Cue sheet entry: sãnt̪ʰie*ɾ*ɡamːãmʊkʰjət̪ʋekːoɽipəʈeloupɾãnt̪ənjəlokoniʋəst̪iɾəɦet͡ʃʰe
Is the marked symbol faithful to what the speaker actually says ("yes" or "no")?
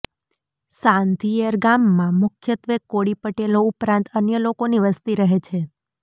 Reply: yes